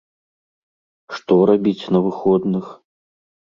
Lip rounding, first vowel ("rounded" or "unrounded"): rounded